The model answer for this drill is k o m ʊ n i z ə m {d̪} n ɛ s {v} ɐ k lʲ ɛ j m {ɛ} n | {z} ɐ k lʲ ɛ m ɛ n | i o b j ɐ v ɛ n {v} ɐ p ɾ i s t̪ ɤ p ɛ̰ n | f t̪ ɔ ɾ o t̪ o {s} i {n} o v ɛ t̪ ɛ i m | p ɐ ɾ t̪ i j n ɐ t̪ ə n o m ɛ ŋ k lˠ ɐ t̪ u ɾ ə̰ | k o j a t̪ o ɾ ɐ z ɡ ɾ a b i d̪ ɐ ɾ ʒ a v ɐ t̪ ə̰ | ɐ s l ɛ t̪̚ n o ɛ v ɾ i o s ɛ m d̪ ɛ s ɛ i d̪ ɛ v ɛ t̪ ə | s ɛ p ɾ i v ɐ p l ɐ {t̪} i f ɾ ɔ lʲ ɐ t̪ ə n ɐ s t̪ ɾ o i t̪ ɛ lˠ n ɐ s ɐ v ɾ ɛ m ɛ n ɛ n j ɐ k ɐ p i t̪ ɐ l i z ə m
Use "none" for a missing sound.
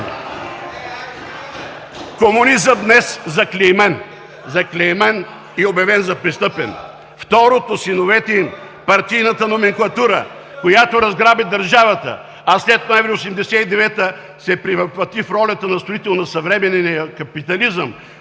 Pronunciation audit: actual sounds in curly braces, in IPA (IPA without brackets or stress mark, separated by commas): d̪, z, ɛ, z, z, s, n, t̪